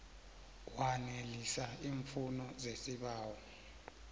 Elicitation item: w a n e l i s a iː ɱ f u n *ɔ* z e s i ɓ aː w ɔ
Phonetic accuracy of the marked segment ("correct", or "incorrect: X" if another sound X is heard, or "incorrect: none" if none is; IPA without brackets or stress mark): correct